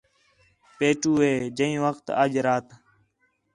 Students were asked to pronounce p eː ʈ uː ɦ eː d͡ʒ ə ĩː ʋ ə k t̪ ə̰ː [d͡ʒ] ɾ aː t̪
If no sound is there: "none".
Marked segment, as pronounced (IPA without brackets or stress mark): d͡ʒ